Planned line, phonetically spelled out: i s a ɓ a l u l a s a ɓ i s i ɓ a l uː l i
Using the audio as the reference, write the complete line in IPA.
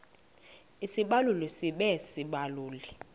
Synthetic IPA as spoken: i s i ɓ a l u l i s i ɓ ɛ s i ɓ a l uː l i